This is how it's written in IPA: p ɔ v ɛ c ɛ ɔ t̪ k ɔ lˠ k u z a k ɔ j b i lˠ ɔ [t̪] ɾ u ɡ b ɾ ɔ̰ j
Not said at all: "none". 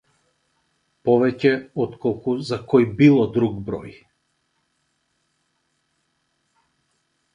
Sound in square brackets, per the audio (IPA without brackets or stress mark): d̪